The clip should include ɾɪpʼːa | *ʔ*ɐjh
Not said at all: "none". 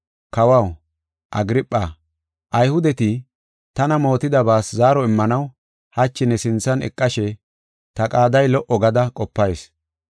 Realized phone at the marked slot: ʔ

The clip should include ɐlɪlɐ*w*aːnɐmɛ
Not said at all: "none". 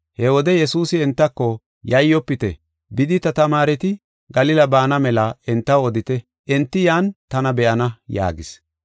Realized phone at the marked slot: b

